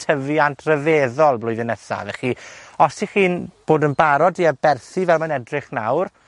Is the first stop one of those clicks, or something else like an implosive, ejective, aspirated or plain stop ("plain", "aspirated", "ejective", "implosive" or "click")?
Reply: aspirated